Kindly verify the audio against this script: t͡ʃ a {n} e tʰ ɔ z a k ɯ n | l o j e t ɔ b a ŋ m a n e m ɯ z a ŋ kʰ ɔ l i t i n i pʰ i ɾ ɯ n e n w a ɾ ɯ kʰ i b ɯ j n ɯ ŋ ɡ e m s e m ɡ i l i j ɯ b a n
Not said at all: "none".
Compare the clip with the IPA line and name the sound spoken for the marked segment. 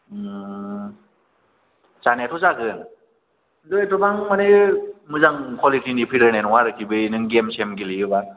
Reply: n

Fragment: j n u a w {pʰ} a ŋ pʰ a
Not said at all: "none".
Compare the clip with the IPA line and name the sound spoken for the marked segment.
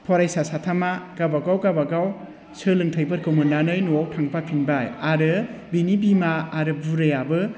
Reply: tʰ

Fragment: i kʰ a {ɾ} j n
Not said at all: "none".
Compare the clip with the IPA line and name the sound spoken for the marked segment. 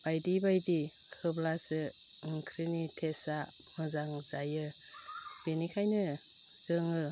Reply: none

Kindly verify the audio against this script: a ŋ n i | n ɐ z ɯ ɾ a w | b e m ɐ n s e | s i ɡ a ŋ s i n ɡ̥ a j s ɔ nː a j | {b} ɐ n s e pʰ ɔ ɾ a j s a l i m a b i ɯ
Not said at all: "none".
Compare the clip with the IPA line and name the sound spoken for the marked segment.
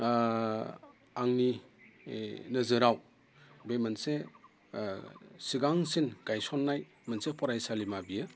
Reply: m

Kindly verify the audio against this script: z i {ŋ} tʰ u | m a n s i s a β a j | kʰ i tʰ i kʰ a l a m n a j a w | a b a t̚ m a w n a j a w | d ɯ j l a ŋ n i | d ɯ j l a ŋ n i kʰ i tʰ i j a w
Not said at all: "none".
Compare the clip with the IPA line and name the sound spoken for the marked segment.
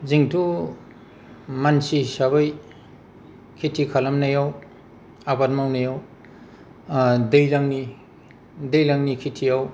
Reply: ŋ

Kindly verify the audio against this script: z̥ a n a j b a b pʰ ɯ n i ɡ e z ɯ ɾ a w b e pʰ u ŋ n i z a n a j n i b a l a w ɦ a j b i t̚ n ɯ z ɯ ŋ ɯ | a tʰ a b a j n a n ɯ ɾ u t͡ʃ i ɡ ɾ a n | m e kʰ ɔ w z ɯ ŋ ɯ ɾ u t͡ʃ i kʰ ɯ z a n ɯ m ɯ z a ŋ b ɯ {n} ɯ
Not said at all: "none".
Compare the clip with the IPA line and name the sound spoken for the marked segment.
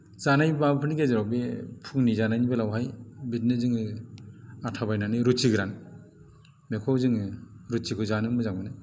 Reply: n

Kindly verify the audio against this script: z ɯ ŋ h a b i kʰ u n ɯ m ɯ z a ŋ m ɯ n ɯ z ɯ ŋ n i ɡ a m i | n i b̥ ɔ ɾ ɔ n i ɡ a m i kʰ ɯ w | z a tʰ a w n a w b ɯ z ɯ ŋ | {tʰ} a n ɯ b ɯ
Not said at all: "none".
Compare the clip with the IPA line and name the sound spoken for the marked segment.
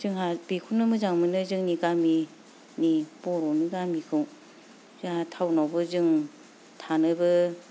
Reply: tʰ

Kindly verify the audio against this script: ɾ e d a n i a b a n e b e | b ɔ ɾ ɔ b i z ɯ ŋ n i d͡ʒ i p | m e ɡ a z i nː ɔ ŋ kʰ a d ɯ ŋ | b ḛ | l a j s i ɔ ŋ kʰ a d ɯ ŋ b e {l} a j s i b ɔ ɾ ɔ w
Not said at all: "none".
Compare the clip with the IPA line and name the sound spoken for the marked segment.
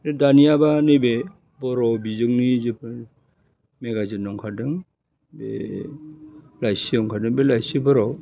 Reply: l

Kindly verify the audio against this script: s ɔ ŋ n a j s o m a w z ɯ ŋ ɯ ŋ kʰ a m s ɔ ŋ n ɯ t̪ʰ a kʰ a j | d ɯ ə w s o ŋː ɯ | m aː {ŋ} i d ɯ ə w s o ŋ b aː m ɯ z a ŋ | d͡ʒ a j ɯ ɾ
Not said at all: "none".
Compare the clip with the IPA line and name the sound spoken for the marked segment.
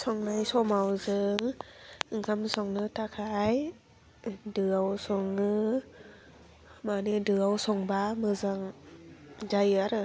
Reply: n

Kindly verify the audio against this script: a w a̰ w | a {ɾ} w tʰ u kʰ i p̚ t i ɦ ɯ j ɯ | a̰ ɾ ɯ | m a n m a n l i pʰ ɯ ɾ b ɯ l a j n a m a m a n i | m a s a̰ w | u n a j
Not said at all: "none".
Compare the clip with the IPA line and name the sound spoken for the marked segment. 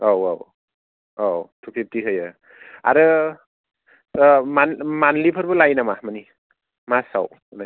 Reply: none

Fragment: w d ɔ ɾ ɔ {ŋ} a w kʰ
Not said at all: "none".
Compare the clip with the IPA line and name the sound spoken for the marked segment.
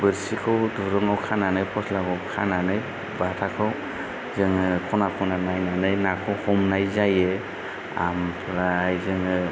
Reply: ŋ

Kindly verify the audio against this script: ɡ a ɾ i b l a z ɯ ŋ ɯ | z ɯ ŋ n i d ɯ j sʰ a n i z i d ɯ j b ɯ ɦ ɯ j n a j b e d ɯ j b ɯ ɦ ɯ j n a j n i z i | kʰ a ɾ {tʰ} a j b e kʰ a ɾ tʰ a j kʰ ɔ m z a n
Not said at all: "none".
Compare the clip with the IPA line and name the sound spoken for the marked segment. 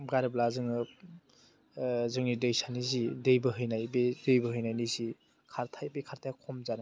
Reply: tʰ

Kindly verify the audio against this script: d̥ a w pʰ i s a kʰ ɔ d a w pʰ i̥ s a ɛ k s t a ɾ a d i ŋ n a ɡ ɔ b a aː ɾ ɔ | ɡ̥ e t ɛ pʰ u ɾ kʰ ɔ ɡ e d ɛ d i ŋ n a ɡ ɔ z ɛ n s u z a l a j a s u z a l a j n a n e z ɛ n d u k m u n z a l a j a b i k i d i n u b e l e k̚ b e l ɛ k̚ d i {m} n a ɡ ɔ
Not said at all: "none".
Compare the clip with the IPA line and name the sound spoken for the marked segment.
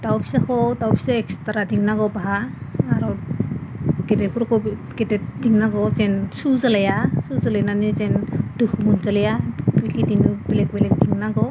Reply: ŋ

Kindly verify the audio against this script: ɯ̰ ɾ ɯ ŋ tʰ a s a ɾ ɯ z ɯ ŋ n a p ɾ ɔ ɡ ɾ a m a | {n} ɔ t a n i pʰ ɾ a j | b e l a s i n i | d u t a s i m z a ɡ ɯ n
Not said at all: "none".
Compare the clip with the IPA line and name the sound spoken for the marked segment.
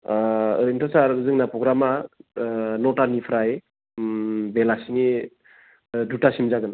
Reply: n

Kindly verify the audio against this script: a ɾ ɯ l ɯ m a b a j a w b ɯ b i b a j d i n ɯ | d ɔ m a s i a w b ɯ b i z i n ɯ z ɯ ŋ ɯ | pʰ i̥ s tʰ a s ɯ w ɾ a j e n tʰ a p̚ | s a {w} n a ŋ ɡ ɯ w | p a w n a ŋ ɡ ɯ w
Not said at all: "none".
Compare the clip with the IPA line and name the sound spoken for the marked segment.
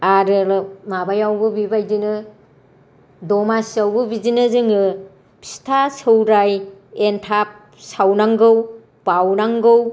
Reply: w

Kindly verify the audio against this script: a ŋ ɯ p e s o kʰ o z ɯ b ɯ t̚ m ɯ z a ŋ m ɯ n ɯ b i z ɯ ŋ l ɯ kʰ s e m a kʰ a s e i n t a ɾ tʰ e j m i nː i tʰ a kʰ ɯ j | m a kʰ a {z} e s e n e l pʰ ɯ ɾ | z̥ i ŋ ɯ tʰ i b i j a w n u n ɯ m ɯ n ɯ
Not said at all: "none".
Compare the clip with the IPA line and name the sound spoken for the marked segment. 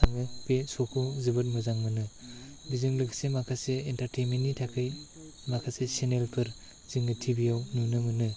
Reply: s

